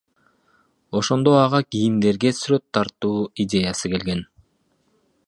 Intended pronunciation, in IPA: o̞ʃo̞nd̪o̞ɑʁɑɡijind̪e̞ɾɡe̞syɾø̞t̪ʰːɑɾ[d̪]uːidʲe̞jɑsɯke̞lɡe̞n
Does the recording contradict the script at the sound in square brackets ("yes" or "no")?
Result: yes